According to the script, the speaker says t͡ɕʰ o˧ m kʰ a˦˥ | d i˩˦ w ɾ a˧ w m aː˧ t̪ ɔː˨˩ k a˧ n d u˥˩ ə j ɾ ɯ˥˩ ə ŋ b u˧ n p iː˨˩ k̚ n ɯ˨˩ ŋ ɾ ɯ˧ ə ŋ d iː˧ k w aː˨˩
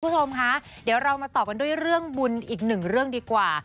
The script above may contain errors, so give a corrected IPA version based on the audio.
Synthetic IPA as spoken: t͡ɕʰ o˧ m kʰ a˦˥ | d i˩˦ w ɾ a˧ w m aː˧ t̪ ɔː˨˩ k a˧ n d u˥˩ ə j ɾ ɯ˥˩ ə ŋ b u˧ n ʔ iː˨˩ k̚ n ɯ˨˩ ŋ ɾ ɯ˥˩ ə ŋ d iː˧ k w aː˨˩